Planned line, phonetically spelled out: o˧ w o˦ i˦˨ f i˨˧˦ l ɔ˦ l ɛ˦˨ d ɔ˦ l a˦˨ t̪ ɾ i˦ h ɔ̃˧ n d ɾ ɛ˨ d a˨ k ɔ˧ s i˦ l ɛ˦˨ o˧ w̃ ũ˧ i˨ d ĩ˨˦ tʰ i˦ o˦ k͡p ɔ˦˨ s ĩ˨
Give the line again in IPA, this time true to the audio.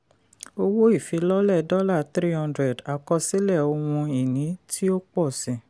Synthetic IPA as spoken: o˧ w o˦ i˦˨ f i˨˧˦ l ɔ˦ l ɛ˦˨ d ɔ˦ l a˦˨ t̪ ɾ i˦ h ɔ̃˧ n d ɾ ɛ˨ d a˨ k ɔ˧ s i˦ l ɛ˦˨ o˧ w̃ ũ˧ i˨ n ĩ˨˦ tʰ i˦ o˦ k͡p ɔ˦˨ s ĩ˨

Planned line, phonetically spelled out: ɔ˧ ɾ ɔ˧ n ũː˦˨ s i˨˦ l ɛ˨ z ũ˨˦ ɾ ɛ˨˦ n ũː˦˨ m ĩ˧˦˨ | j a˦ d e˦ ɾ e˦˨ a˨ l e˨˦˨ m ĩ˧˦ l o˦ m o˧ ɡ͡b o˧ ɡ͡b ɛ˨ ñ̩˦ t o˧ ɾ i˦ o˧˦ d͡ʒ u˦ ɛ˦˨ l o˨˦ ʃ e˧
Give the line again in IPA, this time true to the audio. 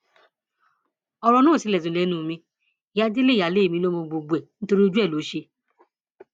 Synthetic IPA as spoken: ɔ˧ ɾ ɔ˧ n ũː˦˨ s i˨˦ l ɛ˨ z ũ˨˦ l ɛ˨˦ n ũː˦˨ m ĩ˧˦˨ | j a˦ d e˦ l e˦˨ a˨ l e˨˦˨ m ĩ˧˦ l o˦ m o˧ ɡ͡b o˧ ɡ͡b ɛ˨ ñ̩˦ t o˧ ɾ i˦ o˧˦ d͡ʒ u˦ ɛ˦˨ l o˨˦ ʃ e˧

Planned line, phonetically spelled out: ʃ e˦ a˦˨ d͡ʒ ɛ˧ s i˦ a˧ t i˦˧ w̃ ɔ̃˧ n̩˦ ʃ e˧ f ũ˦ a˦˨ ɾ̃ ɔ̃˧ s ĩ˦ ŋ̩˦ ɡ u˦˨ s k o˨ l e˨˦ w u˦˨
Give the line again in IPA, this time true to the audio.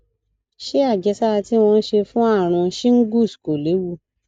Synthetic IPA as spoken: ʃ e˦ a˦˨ d͡ʒ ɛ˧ s a˦ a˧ t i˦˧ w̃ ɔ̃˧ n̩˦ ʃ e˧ f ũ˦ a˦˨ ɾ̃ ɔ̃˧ ʃ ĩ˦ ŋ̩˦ ɡ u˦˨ s k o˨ l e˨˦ w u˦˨

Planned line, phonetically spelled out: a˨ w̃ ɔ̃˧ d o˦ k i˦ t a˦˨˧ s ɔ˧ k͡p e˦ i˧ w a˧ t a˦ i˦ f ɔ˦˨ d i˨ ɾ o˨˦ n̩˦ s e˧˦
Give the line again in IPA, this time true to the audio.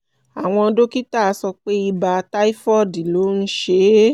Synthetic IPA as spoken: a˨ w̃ ɔ̃˧ d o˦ k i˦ t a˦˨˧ s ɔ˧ k͡p e˦ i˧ b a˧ t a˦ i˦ f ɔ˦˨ d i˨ l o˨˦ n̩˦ ʃ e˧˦

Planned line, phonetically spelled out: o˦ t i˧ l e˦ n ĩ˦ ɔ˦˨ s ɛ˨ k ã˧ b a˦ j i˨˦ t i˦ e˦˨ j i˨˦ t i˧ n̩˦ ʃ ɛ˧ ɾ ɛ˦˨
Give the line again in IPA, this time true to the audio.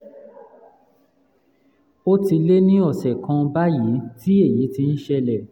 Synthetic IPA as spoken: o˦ t i˧ l e˦ n ĩ˦ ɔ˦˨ s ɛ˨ k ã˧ b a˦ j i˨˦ t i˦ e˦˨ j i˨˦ t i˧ n̩˦ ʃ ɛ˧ l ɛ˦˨

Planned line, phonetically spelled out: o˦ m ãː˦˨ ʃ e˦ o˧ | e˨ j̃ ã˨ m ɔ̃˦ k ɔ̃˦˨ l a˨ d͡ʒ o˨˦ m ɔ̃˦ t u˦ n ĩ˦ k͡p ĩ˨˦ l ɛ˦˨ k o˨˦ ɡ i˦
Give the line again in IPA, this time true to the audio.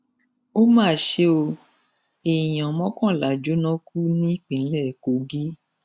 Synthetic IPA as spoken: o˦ m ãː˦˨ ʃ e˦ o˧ | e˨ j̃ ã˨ m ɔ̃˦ k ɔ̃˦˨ l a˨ d͡ʒ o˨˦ n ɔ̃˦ k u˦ n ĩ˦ k͡p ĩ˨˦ l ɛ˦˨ k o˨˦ ɡ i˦

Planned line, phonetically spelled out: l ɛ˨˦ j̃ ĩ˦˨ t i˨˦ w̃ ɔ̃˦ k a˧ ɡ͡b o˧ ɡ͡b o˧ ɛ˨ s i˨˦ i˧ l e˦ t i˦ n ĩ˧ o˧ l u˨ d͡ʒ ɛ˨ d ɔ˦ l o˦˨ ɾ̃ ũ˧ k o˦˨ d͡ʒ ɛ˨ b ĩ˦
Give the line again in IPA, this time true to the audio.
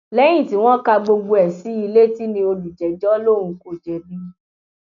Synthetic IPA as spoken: l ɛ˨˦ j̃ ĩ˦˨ t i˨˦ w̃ ɔ̃˦ k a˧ ɡ͡b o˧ ɡ͡b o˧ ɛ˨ s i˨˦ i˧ l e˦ t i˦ n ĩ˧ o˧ l u˨ d͡ʒ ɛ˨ d͡ʒ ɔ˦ l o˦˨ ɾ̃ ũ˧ k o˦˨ d͡ʒ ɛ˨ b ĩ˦

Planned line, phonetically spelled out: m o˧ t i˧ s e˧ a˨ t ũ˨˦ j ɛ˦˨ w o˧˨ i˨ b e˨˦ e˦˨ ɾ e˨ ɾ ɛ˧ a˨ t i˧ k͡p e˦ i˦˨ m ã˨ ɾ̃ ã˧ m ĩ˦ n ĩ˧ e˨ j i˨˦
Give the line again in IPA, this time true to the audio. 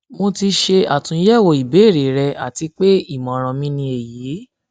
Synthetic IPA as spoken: m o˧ t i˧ ʃ e˧ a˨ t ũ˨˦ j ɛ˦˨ w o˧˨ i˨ b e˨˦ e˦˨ ɾ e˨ ɾ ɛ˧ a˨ t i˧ k͡p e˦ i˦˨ m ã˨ ɾ̃ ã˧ m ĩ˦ n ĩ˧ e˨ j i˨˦

